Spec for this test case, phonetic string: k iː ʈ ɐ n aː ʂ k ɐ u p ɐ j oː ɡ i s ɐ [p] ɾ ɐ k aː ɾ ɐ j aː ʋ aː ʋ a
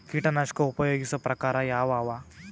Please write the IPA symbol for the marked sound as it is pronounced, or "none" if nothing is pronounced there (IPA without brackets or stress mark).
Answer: p